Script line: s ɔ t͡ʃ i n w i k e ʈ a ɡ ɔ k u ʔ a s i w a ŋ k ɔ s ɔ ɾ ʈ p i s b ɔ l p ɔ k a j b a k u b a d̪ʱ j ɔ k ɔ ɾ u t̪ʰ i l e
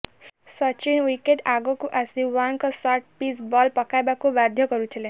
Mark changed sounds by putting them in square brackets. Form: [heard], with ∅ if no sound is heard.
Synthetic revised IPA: s ɔ t͡ʃ i n w i k e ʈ a ɡ ɔ k u ʔ a s i w a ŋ k ɔ s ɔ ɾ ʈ p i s b ɔ l p ɔ k a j b a k u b a d̪ʱ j ɔ k ɔ ɾ u t̪ʰ i l e